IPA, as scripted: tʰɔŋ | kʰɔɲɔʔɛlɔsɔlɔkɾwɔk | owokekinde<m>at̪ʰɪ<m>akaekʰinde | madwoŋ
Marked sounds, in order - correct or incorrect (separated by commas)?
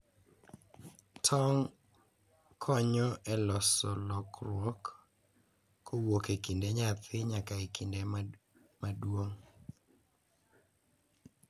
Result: incorrect, incorrect